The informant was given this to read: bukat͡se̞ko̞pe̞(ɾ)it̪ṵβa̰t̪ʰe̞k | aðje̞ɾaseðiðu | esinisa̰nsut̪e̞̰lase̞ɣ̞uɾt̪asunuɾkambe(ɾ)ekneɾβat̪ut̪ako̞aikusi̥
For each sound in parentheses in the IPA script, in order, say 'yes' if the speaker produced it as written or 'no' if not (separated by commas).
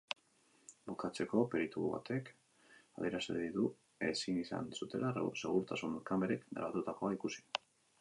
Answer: yes, yes